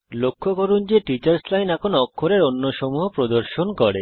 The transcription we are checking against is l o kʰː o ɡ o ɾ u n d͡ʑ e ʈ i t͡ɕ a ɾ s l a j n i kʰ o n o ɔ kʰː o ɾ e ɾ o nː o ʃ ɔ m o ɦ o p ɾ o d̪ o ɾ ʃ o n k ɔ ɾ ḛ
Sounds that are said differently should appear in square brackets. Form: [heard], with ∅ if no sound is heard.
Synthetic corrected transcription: l o kʰː o [k] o ɾ u n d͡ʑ e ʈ i t͡ɕ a ɾ s l a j n [ɛ] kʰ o n o ɔ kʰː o ɾ e ɾ o nː o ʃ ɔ m [u] ɦ o p ɾ o d̪ o ɾ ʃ o n k ɔ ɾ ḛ